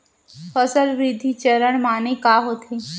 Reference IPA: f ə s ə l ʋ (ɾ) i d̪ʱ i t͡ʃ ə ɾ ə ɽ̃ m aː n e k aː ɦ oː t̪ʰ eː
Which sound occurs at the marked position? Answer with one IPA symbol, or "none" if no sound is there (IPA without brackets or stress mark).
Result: ɾ